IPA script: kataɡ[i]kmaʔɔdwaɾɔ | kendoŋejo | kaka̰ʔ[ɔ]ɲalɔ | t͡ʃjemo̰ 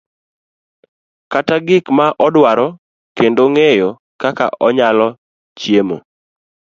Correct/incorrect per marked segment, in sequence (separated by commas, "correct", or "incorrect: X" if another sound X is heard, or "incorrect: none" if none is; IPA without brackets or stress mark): incorrect: ɪ, correct